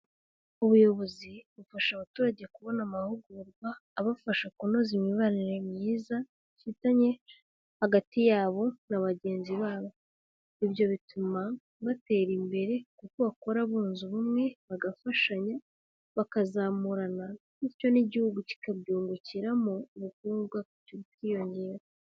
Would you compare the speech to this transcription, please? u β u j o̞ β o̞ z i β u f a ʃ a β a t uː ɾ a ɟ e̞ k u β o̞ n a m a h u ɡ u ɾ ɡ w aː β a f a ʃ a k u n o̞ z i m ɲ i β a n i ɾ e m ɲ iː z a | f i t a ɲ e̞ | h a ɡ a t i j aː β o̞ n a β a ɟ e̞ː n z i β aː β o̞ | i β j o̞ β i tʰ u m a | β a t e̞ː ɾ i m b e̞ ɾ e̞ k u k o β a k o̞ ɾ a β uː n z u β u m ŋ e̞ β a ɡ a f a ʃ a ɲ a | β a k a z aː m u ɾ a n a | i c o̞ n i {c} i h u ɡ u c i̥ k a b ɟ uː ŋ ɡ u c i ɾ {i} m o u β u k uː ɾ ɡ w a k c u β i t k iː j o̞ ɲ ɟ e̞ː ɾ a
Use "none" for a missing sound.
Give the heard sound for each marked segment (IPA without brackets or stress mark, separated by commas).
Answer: ɟ, a